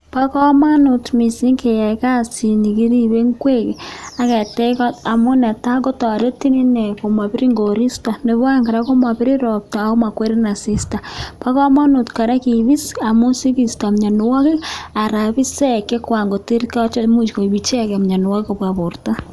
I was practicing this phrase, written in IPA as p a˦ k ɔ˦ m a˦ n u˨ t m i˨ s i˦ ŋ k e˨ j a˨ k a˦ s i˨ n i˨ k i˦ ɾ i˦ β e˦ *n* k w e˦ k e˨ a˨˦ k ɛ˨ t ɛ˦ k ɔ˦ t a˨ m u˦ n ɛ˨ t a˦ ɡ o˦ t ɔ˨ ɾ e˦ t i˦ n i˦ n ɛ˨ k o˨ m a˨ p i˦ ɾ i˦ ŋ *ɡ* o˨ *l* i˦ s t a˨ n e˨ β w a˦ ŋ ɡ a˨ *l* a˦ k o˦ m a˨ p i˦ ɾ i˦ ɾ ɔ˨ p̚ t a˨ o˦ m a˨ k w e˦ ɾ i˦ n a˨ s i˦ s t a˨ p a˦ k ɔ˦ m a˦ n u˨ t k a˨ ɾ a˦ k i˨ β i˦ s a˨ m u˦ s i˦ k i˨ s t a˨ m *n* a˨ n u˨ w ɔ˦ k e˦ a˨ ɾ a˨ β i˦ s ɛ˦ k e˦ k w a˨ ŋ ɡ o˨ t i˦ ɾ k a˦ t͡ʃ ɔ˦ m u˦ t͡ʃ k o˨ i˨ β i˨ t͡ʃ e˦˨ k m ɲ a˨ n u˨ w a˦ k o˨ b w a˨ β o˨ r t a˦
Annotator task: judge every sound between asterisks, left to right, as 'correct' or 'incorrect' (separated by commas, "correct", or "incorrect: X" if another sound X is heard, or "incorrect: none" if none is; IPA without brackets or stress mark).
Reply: incorrect: ŋ, correct, incorrect: ɾ, incorrect: ɾ, incorrect: ɲ